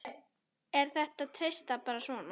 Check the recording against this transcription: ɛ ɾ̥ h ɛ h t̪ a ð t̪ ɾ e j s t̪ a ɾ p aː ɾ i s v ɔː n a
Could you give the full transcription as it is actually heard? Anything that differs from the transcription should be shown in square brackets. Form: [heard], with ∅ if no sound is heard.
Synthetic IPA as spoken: ɛ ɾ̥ [θ] ɛ h t̪ a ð [t̪ʰ] ɾ e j s t̪ a [∅] p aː ɾ [a] s v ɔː n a